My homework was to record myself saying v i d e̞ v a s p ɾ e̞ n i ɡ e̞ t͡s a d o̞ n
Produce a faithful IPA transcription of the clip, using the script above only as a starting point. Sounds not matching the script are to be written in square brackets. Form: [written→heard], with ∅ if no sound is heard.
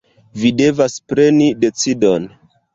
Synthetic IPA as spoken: v i d e̞ v a s p ɾ e̞ n i [ɡ→d] e̞ t͡s [a→i] d o̞ n